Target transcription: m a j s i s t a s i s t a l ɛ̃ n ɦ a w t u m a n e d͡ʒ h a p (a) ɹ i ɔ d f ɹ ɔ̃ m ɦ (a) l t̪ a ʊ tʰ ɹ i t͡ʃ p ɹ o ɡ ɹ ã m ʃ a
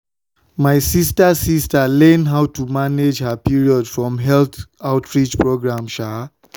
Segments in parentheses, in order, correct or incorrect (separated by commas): incorrect, incorrect